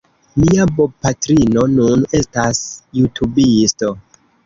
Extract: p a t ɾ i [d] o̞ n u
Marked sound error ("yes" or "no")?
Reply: yes